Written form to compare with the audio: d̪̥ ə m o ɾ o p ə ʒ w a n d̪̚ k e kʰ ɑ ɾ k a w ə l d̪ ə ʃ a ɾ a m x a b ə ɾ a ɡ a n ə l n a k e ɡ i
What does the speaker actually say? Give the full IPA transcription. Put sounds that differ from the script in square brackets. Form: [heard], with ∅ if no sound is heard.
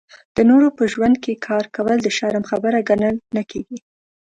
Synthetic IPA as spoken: d̪̥ ə [n] o ɾ o p ə ʒ w a n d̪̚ k e kʰ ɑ ɾ k a w ə l d̪ ə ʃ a ɾ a m x a b ə ɾ a ɡ a n ə l n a k e ɡ i